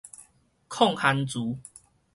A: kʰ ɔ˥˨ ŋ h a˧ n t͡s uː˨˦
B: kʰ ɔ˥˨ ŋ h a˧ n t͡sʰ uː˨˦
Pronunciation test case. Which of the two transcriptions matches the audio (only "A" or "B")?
A